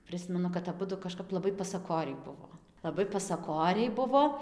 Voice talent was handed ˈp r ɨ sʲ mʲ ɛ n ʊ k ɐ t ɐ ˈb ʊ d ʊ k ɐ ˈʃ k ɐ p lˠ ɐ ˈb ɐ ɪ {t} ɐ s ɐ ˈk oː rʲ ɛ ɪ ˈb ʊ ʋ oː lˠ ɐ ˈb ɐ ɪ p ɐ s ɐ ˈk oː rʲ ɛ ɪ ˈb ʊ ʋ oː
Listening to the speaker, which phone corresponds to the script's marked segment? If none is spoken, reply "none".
p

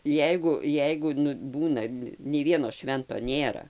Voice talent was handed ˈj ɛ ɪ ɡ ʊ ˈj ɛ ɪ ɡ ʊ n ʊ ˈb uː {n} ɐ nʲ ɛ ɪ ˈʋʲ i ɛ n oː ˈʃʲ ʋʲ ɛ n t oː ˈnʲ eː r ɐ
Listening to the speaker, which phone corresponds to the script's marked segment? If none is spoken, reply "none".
n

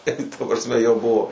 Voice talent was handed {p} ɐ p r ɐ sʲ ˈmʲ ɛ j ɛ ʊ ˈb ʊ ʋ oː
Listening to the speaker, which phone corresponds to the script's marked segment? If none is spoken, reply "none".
t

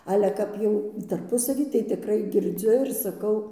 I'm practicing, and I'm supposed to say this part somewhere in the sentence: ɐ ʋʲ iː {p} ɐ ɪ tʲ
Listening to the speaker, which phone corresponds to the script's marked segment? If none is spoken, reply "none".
t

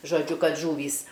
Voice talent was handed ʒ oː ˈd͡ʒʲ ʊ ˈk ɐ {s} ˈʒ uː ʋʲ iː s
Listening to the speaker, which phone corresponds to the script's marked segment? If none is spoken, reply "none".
t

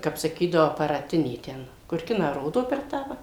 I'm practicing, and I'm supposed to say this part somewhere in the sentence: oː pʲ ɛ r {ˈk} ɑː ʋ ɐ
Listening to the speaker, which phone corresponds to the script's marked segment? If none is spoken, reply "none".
t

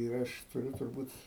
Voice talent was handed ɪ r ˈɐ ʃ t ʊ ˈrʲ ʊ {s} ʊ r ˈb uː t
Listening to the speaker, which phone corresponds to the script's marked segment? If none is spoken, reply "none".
t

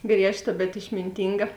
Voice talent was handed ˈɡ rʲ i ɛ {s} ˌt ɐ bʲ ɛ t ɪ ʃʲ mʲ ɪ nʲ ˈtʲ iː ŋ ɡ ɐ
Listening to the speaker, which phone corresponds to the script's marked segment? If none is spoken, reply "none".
ʃ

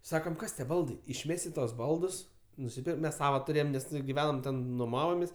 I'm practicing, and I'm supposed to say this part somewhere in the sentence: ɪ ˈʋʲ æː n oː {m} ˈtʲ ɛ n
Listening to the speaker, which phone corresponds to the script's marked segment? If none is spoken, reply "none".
m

